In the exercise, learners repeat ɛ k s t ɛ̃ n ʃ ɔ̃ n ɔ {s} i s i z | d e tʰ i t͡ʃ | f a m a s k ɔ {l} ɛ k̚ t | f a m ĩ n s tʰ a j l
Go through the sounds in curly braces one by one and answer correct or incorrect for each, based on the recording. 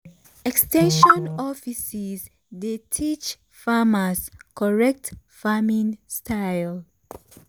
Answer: incorrect, incorrect

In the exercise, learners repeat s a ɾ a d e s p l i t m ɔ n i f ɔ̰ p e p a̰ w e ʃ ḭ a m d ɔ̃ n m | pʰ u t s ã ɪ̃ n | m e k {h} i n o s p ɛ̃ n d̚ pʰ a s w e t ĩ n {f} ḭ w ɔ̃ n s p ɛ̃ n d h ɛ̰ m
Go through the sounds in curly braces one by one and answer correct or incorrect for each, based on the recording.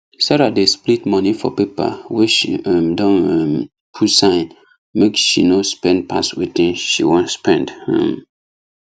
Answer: incorrect, incorrect

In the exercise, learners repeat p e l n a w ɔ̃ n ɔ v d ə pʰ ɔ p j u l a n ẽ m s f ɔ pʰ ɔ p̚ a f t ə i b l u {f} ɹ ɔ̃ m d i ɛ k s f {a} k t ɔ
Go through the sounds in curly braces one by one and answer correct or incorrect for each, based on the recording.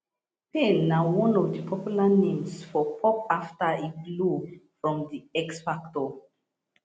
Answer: correct, correct

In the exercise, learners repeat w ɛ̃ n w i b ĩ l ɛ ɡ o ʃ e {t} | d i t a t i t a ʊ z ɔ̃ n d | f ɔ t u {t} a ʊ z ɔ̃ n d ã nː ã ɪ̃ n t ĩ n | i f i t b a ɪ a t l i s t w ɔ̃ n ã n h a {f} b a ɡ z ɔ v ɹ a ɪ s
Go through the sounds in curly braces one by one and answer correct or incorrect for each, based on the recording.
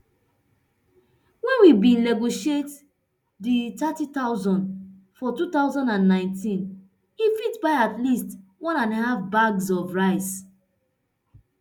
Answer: correct, correct, correct

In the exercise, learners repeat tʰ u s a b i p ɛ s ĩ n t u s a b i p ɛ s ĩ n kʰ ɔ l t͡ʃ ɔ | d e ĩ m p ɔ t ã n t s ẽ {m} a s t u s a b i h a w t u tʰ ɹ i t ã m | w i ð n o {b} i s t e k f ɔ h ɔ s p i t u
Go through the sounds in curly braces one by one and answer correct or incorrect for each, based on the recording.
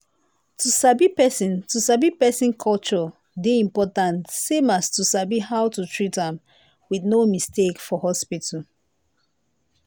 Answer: correct, incorrect

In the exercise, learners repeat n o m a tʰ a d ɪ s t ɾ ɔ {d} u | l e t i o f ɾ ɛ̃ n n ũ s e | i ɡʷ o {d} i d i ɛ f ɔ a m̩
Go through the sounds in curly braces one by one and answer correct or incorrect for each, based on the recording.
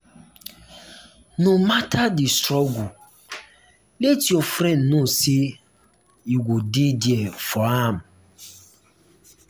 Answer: incorrect, correct

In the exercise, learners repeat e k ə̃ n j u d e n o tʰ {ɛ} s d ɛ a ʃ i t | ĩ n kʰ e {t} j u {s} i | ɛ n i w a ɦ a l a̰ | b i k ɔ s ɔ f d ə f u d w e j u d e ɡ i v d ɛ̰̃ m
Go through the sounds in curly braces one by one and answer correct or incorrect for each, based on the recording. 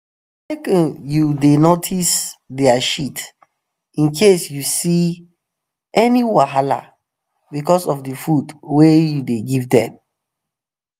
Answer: incorrect, incorrect, correct

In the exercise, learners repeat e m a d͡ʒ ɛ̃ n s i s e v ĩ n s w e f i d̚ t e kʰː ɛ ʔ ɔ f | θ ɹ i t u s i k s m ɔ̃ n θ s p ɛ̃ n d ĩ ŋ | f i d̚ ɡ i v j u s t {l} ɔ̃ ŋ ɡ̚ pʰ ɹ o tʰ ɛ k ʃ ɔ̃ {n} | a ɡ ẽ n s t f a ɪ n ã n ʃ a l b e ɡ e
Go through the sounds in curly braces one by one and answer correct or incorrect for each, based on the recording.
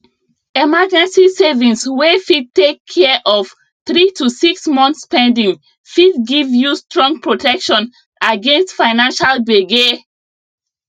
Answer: incorrect, correct

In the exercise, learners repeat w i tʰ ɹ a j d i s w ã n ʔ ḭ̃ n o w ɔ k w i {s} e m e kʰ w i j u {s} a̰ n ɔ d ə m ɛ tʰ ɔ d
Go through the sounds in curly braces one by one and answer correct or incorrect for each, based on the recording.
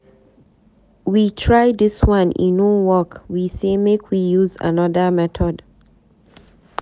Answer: correct, incorrect

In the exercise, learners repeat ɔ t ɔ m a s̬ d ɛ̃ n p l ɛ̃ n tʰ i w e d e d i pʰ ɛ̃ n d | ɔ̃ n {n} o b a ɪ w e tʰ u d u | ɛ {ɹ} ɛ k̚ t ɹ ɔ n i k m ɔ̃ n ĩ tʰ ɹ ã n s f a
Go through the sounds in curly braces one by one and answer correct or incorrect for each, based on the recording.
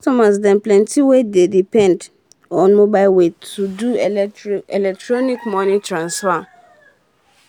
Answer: incorrect, incorrect

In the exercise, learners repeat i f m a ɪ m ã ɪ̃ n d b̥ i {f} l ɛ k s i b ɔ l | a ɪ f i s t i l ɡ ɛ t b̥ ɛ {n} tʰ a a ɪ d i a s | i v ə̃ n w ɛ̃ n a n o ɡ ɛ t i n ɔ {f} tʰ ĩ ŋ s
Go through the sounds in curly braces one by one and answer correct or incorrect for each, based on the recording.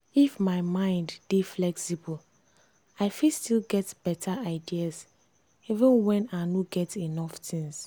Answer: correct, incorrect, correct

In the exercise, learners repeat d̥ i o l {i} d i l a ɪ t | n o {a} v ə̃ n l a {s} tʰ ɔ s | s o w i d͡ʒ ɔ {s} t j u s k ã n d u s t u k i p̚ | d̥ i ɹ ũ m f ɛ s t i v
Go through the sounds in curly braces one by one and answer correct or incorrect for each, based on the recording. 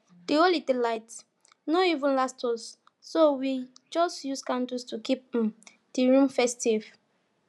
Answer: correct, incorrect, correct, correct

